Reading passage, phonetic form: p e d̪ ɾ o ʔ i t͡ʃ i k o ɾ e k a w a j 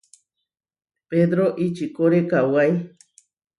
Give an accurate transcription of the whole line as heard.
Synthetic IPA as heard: p e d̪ ɾ o ʔ i t͡ʃ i k o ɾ e k a w a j